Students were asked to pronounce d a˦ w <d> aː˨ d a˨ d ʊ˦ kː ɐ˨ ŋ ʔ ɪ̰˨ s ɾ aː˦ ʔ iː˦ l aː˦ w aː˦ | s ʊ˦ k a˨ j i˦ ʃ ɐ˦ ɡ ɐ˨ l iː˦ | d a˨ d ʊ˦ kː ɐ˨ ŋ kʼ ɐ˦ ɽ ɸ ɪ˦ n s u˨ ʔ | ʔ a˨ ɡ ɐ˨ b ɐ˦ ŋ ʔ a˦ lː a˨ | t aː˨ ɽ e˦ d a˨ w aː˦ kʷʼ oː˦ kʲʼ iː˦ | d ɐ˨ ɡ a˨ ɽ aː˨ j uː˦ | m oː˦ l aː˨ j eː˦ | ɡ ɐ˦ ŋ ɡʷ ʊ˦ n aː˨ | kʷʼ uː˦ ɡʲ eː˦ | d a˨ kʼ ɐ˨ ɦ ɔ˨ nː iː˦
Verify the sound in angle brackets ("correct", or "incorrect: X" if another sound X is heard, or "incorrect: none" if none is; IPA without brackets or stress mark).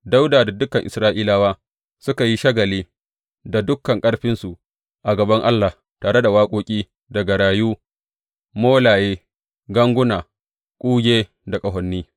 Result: correct